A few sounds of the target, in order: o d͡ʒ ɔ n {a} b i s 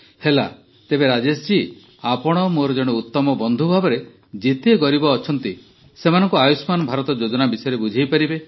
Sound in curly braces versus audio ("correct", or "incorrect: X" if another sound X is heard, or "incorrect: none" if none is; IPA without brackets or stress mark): correct